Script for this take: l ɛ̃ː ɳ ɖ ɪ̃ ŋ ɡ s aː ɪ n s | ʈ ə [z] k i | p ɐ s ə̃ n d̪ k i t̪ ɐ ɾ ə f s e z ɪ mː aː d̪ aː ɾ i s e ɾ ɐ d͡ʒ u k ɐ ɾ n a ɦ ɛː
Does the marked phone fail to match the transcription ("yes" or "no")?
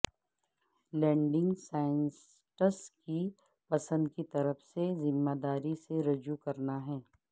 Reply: yes